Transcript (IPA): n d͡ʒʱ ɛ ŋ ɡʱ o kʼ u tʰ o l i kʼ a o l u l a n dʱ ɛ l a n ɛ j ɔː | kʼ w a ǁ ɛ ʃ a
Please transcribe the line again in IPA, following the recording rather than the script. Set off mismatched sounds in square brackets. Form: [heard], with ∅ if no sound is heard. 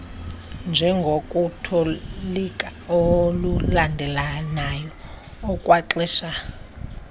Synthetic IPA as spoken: n d͡ʒʱ ɛ ŋ ɡʱ o kʼ u tʰ o l i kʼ a o l u l a n dʱ ɛ l a n [a] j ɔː | kʼ w a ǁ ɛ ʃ a